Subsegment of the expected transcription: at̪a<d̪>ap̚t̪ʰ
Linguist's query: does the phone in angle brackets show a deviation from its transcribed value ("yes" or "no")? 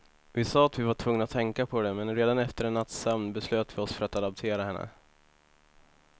no